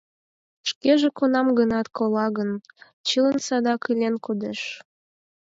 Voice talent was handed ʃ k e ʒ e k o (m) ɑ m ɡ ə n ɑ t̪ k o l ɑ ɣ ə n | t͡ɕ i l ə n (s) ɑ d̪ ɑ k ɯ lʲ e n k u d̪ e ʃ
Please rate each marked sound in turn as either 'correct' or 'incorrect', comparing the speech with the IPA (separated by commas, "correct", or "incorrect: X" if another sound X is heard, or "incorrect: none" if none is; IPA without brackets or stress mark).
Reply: incorrect: n, correct